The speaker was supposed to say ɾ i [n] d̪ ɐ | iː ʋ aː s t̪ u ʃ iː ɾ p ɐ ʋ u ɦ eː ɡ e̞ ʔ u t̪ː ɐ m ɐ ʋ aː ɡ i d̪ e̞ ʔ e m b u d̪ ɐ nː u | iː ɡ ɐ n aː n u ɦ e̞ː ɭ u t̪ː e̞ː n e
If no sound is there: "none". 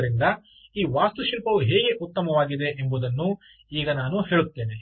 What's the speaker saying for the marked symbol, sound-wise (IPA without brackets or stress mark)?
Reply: n